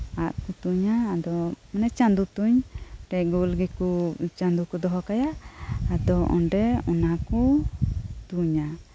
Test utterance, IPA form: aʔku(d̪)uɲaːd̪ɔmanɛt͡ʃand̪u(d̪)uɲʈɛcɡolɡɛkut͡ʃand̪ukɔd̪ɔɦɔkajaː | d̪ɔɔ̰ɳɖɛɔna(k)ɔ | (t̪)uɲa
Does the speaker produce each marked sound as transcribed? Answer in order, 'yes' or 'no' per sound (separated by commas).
no, no, yes, yes